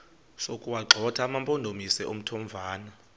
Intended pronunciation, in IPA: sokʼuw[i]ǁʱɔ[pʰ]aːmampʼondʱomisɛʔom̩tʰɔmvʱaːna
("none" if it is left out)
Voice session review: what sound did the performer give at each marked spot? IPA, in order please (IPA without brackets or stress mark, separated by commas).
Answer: a, tʰ